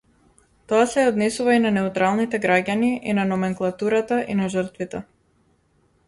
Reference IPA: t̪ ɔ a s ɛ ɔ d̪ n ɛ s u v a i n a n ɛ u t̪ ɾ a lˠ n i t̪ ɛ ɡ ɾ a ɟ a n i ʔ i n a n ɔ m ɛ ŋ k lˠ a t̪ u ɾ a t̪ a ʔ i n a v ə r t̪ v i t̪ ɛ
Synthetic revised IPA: t̪ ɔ a s ɛ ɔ d̪ n ɛ s u v a i n a n ɛ u t̪ ɾ a lˠ n i t̪ ɛ ɡ ɾ a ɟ a n i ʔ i n a n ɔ m ɛ ŋ k lˠ a t̪ u ɾ a t̪ a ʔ i n a ʒ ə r t̪ v i t̪ ɛ